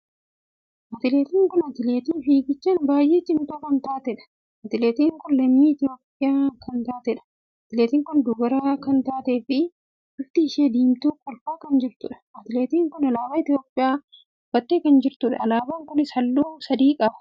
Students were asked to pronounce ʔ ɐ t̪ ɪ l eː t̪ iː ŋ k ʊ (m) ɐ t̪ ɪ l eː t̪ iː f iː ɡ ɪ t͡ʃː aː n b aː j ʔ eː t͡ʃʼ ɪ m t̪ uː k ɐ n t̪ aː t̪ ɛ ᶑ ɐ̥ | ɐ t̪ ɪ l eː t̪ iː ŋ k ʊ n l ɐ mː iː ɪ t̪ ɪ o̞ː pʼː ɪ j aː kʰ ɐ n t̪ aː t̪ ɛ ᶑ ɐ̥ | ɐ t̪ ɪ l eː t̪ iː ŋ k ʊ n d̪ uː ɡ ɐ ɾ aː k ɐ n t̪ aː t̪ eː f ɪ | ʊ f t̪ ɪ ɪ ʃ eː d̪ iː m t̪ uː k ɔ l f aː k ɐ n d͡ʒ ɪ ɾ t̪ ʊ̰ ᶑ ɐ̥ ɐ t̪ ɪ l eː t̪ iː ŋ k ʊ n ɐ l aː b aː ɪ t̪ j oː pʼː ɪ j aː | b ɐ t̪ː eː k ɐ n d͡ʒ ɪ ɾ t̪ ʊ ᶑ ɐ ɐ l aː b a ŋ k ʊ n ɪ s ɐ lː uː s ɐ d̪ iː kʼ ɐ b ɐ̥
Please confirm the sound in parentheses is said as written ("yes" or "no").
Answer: no